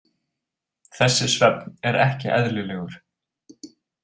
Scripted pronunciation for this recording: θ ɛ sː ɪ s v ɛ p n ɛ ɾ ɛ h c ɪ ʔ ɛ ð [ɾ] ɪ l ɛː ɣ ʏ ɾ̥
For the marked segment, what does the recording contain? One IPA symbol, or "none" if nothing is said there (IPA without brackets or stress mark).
l